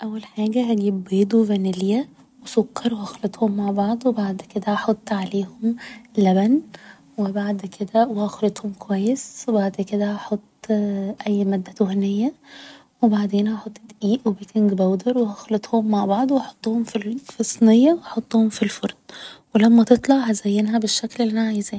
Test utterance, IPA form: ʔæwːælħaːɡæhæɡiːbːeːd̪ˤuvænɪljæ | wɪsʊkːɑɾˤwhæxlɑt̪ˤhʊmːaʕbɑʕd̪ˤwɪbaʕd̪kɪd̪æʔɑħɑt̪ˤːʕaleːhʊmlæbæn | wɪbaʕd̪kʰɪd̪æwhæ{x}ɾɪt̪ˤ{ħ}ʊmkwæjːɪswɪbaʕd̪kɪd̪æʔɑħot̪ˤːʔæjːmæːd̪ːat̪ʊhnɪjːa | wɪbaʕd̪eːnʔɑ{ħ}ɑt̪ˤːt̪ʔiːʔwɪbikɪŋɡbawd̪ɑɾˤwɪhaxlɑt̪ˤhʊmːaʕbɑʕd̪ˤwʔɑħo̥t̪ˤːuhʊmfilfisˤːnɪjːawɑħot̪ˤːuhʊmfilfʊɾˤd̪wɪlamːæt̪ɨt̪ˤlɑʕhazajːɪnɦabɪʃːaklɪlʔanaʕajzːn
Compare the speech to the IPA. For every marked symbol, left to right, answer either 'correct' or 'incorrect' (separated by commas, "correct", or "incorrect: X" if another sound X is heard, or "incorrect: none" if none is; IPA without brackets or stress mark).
correct, incorrect: h, correct